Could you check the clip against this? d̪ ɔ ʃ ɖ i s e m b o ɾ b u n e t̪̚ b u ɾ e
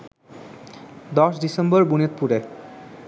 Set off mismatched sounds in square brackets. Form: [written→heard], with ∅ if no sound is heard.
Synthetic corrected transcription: d̪ ɔ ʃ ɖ i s e m b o ɾ b u n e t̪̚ [b→p] u ɾ e